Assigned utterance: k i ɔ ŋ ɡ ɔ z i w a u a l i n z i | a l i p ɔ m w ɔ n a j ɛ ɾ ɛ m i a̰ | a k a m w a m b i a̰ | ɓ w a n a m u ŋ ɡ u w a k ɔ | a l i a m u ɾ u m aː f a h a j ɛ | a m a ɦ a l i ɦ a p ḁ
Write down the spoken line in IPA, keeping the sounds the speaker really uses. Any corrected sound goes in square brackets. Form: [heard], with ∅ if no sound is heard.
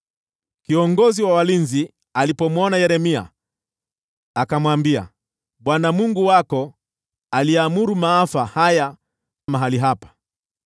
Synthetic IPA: k i ɔ ŋ ɡ ɔ z i w a [w] a l i n z i | a l i p ɔ m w ɔ n a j ɛ ɾ ɛ m i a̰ | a k a m w a m b i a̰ | ɓ w a n a m u ŋ ɡ u w a k ɔ | a l i a m u ɾ u m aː f a h a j [a] | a m a ɦ a l i ɦ a p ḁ